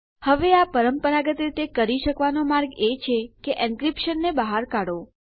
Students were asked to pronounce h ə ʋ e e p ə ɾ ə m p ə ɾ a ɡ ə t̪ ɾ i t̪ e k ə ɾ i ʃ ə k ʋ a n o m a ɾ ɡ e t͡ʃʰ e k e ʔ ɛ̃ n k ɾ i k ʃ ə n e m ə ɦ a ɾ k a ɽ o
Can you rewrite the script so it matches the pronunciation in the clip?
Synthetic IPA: h ə ʋ e a p ə ɾ ə m p ə ɾ a ɡ ə t̪ ɾ i t̪ e k ə ɾ i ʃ ə k ʋ a n o m a ɾ ɡ e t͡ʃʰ e k e ʔ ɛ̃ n k ɾ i p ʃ ə nː e b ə ɦ a ɾ k a ɽ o